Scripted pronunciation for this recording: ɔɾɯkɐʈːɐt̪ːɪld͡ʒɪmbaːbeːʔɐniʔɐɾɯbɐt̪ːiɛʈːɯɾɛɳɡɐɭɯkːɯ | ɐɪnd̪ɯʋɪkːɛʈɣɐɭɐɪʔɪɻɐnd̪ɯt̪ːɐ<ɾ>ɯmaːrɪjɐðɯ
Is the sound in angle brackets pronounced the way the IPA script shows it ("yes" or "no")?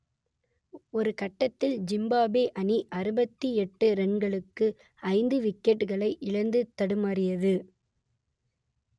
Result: no